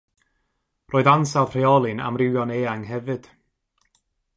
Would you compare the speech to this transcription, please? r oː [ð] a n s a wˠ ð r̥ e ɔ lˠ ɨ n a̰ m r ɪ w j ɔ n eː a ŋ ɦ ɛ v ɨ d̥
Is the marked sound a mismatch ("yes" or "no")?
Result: no